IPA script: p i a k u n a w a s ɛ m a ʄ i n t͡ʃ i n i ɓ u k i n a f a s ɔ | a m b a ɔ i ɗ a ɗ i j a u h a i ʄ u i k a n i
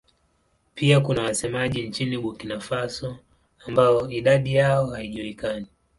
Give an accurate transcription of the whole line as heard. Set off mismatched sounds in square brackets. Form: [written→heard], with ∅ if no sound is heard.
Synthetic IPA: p i a k u n a w a s ɛ m a ʄ i n t͡ʃ i n i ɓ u k i n a f a s ɔ | a m b a ɔ i ɗ a ɗ i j a [u→ɔ] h a i ʄ u i k a n i